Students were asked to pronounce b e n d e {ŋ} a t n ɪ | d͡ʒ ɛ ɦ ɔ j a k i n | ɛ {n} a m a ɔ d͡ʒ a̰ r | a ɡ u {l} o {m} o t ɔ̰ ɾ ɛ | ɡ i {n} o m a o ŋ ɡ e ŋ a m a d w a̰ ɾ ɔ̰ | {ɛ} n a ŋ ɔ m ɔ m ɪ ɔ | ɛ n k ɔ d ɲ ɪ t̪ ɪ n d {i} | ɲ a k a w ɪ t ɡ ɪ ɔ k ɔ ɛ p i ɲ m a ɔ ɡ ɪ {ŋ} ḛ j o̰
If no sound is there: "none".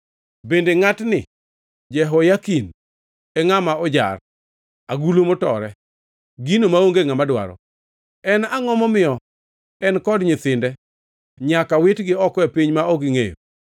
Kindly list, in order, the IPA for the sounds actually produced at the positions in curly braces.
ŋ, ŋ, l, m, n, ɛ, ɛ, ŋ

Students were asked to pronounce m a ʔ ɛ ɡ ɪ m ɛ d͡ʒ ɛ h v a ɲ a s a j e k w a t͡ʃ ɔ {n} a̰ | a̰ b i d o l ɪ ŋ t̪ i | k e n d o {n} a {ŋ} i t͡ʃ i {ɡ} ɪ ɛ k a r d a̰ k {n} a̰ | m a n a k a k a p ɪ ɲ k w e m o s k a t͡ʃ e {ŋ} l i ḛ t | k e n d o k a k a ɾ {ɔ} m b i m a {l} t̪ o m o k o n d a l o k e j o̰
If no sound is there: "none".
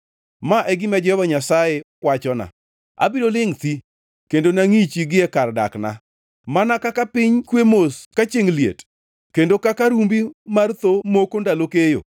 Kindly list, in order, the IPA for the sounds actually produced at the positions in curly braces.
n, n, ŋ, ɡ, n, ŋ, u, r

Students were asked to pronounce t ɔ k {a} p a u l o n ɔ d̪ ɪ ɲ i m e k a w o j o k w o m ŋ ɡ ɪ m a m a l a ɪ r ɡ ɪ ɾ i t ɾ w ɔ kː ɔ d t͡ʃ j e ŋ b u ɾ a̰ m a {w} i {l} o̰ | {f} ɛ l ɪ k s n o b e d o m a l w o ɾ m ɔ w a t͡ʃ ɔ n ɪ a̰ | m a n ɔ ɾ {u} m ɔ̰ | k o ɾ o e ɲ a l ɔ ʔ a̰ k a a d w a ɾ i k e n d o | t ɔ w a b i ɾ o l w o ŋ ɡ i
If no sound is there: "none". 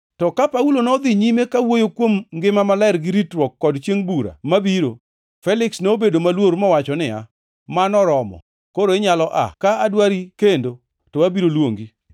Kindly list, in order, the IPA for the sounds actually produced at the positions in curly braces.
a, b, ɾ, f, ɔ

